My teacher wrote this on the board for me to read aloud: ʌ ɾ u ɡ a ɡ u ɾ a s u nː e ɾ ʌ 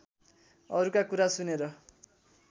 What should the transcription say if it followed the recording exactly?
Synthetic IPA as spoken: ʌ ɾ u k a k u ɾ a s u n e ɾ ʌ